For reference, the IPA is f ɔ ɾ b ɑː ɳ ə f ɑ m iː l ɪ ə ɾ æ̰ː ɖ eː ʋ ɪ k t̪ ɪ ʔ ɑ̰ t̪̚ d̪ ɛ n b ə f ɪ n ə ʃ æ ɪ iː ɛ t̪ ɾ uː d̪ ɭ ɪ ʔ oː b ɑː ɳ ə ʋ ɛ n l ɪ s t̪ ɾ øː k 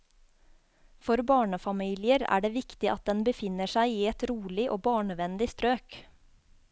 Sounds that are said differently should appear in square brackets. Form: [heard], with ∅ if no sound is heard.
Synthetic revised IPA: f ɔ ɾ b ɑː ɳ ə f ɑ m iː l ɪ ə ɾ æ̰ː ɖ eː ʋ ɪ k t̪ ɪ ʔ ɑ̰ t̪̚ d̪ ɛ n b ə f ɪ n ə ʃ æ ɪ iː ɛ t̪ ɾ uː [∅] ɭ ɪ ʔ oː b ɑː ɳ ə ʋ ɛ n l ɪ s t̪ ɾ øː k